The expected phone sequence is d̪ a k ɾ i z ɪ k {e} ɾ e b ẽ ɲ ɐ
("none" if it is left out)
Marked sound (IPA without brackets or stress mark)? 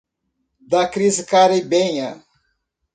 a